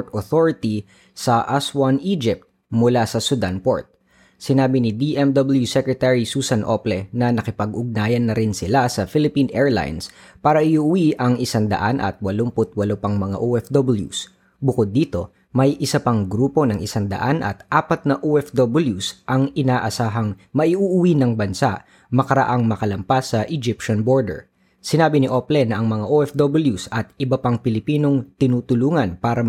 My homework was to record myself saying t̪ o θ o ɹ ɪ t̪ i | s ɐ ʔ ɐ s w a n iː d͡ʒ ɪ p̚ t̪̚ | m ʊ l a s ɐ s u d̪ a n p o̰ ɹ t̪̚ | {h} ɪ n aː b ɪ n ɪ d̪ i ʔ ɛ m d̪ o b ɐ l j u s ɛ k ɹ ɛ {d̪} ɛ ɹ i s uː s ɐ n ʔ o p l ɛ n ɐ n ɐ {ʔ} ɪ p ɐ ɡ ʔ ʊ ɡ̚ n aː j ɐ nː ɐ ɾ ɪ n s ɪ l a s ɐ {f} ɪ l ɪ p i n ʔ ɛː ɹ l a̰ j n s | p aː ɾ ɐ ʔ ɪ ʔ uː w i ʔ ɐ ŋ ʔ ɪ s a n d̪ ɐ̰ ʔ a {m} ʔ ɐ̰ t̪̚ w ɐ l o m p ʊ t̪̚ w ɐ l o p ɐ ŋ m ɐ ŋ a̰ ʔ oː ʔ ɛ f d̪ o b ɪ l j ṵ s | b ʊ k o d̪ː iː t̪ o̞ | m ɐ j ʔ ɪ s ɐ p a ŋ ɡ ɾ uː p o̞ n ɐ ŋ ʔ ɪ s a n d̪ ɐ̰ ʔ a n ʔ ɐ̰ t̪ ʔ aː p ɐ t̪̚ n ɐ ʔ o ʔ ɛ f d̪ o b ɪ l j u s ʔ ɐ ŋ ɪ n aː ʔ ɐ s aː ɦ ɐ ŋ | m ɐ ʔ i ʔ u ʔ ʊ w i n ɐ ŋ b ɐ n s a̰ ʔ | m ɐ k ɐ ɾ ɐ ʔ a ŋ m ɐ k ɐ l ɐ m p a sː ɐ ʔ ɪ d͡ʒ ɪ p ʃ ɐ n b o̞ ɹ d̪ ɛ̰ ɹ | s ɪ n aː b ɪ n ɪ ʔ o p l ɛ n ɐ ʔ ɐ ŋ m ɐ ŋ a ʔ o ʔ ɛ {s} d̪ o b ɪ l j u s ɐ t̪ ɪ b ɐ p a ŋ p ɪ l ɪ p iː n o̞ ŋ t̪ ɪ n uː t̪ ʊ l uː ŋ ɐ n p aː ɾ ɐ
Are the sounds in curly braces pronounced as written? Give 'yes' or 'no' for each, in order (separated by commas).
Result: no, no, no, yes, no, no